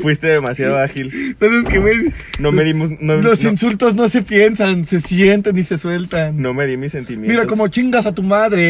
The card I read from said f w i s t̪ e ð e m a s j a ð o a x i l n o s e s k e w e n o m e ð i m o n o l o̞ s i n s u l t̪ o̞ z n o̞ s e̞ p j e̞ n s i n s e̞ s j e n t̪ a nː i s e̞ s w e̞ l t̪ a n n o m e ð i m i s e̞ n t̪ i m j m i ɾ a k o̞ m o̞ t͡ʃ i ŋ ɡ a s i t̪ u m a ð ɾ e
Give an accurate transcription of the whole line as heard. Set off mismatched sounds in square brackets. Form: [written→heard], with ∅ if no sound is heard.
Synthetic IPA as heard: f w i s t̪ e ð e m a s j a ð o a x i l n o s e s k e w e n o m e ð i m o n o l o̞ s i n s u l t̪ o̞ z n o̞ s e̞ p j e̞ n s [i→a] n s e̞ s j e n t̪ [a→e] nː i s e̞ s w e̞ l t̪ a n n o m e ð i m i s e̞ n t̪ i m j m i ɾ a k o̞ m o̞ t͡ʃ i ŋ ɡ a s [i→a] t̪ u m a ð ɾ e